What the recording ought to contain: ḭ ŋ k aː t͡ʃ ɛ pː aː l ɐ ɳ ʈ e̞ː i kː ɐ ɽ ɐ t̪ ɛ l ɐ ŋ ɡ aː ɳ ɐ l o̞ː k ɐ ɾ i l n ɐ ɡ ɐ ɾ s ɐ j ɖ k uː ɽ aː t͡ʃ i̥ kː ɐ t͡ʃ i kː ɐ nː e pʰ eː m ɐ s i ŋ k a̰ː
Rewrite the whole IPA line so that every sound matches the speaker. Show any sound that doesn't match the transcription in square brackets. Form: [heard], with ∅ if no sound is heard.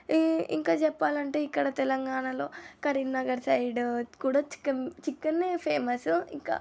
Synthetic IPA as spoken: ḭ ŋ k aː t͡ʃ ɛ pː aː l ɐ ɳ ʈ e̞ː i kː ɐ ɽ ɐ t̪ ɛ l ɐ ŋ ɡ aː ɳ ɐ l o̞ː k ɐ ɾ i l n ɐ ɡ ɐ ɾ s ɐ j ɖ k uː ɽ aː t͡ʃ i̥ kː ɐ t͡ʃ i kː ɐ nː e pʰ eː m ɐ s i ŋ k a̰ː